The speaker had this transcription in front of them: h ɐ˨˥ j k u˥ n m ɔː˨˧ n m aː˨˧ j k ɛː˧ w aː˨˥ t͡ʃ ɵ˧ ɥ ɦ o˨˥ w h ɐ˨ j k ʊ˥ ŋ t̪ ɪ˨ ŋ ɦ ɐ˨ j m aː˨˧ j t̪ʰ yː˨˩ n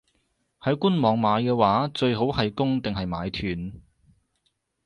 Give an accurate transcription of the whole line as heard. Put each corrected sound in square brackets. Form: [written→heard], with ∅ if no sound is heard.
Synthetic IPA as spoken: h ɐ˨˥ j k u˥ n m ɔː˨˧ [n→ŋ] m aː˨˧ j k ɛː˧ w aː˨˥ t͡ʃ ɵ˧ ɥ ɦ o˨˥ w h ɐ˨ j k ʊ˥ ŋ t̪ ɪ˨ ŋ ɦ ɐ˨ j m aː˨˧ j t̪ʰ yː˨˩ n